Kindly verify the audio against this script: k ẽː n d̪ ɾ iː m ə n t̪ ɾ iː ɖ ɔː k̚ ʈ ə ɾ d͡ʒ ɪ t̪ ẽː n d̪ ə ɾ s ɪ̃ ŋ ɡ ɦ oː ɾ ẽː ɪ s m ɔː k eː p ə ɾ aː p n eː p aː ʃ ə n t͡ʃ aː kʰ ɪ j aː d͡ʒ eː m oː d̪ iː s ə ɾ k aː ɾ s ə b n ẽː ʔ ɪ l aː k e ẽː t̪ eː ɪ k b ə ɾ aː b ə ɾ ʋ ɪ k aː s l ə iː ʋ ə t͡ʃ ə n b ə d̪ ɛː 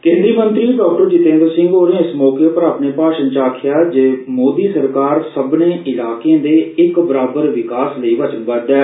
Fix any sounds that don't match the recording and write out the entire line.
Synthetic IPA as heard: k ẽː n d̪ ɾ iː m ə n t̪ ɾ iː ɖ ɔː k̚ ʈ ə ɾ d͡ʒ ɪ t̪ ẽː n d̪ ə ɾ s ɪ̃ ŋ ɡ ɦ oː ɾ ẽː ɪ s m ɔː k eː p ə ɾ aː p n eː p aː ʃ ə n t͡ʃ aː kʰ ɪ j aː d͡ʒ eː m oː d̪ iː s ə ɾ k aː ɾ s ə b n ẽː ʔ ɪ l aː k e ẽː d̪ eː ɪ k b ə ɾ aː b ə ɾ ʋ ɪ k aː s l ə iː ʋ ə t͡ʃ ə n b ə d̪ ɛː